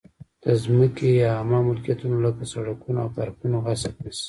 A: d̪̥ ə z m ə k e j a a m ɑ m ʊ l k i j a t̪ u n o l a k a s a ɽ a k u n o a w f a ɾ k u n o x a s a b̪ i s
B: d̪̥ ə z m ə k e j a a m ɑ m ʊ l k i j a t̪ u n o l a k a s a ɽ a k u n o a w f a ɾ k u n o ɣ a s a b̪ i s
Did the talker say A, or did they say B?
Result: B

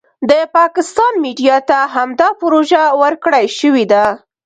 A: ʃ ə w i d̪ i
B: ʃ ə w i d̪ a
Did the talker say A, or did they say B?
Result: B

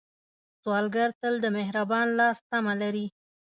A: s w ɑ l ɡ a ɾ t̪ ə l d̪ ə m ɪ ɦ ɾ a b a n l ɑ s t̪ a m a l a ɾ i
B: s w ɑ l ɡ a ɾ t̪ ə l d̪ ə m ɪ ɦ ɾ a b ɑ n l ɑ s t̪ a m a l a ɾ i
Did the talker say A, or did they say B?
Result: B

